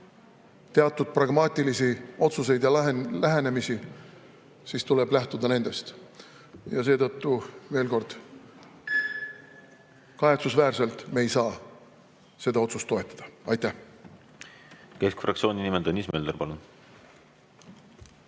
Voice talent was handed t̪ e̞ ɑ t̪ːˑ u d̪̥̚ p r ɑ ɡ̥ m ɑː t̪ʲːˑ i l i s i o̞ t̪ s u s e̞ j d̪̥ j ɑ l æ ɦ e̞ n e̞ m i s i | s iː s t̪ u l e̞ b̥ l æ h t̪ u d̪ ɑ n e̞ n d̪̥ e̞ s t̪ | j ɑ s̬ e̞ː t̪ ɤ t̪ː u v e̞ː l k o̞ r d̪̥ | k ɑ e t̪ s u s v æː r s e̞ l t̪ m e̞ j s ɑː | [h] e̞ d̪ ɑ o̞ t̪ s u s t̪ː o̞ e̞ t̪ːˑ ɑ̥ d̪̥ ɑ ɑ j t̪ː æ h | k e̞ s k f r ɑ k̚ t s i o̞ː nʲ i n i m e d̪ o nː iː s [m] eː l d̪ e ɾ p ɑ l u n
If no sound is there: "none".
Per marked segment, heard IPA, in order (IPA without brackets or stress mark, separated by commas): s, m